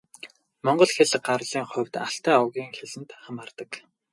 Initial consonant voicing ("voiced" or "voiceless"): voiced